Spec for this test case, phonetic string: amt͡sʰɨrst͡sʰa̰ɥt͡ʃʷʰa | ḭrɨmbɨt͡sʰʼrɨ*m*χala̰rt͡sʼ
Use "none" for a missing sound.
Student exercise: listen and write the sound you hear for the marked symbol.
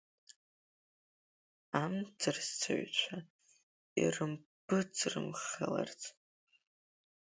m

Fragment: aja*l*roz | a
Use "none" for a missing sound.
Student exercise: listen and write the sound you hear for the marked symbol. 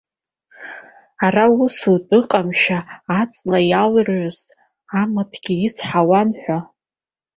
l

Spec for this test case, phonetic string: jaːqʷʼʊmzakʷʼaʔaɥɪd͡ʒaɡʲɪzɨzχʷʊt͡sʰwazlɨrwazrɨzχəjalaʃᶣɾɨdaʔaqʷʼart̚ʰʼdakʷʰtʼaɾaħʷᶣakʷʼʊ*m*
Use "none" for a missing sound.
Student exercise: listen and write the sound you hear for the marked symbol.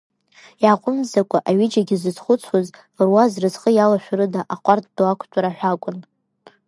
n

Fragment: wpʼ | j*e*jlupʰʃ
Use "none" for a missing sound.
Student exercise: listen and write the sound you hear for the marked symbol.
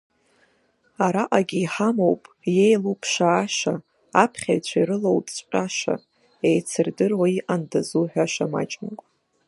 e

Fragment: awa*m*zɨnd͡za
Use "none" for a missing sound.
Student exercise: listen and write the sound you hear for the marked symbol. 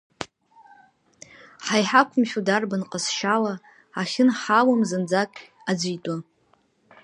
m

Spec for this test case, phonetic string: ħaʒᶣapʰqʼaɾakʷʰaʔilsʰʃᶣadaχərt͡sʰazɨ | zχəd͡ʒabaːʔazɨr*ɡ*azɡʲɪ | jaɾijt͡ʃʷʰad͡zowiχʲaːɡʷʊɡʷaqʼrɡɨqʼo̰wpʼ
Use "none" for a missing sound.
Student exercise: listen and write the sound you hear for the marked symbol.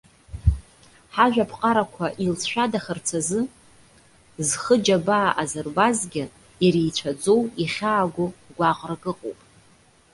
b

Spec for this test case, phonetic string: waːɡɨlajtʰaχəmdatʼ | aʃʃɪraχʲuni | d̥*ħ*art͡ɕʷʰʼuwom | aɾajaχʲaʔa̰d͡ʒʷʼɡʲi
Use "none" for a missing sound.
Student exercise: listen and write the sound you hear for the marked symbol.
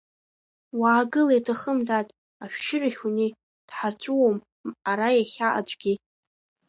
ħ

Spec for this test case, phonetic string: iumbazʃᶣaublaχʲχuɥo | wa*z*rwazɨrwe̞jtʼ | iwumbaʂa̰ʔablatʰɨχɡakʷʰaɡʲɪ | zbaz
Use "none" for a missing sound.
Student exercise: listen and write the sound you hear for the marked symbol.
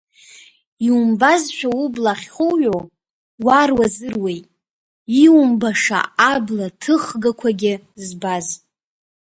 none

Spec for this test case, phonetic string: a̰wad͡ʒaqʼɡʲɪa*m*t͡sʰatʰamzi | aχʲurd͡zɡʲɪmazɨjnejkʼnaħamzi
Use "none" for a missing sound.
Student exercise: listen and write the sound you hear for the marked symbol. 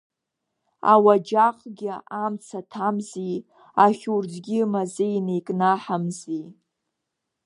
m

